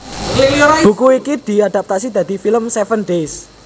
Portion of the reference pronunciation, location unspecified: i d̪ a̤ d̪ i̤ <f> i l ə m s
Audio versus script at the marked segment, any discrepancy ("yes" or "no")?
no